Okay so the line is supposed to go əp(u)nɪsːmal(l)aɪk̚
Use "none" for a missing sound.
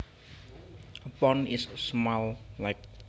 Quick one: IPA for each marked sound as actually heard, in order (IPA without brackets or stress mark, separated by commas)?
ɔ, l